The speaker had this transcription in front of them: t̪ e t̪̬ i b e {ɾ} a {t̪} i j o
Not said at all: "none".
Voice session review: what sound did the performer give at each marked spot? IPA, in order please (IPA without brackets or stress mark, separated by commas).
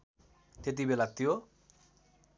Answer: l, t̪